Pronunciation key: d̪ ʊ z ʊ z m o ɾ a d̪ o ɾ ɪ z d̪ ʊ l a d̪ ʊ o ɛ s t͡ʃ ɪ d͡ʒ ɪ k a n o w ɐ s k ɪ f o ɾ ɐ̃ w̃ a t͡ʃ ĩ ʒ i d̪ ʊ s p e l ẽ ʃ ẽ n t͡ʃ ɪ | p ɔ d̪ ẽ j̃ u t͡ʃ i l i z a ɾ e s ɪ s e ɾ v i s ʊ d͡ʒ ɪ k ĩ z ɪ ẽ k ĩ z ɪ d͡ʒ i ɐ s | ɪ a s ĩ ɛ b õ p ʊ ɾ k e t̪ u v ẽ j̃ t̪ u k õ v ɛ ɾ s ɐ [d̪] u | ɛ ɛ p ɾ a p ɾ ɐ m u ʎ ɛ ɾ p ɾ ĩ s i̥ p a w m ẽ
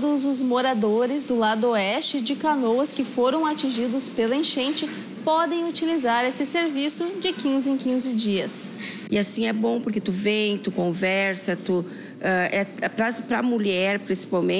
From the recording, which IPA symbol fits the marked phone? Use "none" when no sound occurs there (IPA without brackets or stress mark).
t̪